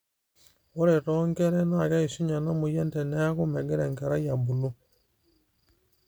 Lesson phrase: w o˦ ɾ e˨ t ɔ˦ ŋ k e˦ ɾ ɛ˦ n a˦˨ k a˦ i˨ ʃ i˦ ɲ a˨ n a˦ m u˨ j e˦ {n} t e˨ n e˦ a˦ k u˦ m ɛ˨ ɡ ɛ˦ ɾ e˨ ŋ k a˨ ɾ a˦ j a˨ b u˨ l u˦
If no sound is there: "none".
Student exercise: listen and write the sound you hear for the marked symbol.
n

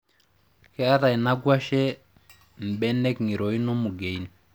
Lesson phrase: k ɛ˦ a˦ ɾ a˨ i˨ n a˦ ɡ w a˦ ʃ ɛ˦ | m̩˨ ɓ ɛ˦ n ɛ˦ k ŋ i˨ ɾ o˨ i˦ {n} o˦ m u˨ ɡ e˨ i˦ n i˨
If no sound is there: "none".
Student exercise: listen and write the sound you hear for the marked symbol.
n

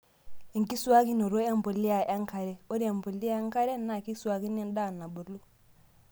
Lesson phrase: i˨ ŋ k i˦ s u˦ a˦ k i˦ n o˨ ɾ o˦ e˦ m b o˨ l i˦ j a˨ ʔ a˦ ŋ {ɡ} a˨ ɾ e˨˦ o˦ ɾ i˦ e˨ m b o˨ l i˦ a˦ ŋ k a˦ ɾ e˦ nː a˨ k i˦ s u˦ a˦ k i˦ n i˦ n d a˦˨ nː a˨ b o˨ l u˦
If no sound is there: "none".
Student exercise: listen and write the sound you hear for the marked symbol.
k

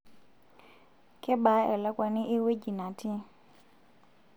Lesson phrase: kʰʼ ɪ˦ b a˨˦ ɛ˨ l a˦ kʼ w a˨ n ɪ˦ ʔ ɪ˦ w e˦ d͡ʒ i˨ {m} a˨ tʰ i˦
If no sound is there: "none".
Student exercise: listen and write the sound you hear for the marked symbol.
n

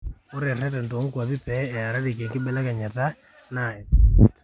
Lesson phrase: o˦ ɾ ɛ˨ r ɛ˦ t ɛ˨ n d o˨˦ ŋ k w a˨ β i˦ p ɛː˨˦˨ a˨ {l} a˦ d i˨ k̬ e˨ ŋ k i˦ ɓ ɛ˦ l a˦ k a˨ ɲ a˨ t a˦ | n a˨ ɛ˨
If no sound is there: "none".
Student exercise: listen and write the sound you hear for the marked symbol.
ɾ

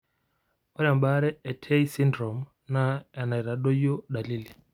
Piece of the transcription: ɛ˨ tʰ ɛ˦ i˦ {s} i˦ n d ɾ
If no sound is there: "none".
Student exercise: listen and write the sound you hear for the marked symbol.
s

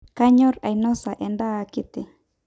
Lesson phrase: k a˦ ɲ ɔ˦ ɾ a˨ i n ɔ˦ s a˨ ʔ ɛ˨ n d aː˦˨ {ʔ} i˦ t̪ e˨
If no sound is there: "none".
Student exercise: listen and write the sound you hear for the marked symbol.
k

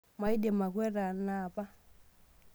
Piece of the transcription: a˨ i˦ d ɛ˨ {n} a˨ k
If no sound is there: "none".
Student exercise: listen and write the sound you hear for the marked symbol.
m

